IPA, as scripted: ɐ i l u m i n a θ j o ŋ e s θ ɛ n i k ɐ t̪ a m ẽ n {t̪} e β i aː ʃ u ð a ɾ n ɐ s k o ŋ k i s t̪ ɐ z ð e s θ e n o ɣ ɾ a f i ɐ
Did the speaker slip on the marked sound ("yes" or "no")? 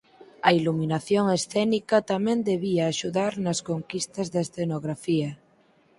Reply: yes